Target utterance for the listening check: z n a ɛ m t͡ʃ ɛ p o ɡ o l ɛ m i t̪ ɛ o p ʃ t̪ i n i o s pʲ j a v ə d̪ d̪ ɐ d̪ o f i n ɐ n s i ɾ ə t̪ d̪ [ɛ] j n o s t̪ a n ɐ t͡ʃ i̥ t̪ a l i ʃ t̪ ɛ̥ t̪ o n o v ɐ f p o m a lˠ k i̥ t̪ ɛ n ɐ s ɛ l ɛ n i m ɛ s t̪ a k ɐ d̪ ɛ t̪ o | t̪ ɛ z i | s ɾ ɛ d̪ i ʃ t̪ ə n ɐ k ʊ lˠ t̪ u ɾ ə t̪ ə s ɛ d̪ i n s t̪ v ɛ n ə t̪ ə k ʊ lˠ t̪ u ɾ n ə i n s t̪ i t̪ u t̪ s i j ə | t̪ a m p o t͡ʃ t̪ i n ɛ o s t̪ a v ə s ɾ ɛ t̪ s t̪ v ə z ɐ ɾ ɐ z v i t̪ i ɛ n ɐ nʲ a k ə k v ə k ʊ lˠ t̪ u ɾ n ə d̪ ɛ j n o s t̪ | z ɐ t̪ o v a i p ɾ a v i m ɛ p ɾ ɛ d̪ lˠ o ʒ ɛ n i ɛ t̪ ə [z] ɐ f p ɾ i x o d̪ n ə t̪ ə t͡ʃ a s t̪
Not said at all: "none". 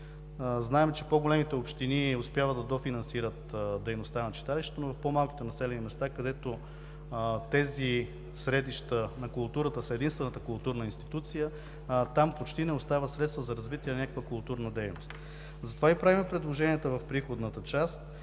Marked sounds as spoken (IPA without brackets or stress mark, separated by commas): ɛ, v